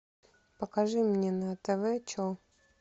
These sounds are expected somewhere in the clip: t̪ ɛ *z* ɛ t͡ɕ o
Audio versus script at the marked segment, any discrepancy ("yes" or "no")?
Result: yes